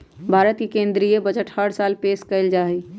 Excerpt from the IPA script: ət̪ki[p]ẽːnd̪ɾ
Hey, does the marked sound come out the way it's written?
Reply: no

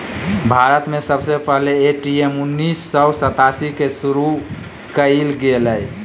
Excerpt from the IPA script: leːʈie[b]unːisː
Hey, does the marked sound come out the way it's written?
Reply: no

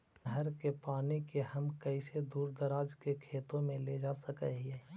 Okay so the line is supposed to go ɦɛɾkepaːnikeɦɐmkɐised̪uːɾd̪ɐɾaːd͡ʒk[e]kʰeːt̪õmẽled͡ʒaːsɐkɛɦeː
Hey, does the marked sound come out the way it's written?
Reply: yes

